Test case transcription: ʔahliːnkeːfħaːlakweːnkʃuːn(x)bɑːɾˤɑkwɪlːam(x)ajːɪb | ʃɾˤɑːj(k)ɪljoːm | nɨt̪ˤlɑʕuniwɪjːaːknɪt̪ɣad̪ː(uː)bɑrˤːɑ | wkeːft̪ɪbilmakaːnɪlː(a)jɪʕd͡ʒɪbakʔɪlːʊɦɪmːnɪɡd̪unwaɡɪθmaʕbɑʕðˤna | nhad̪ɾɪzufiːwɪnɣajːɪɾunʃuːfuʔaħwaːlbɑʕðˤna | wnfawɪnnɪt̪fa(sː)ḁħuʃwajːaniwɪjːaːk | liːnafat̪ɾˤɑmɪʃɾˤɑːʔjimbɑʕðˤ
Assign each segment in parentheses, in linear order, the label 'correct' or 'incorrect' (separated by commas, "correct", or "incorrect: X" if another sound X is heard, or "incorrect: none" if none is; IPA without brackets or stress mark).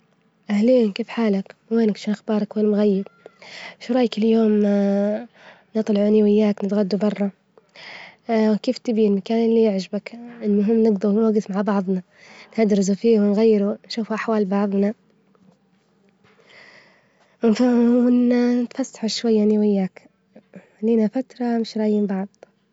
correct, incorrect: ɣ, correct, incorrect: u, incorrect: i, correct